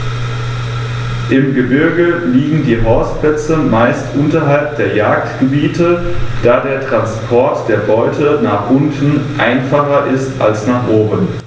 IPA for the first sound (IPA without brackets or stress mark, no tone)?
ʔ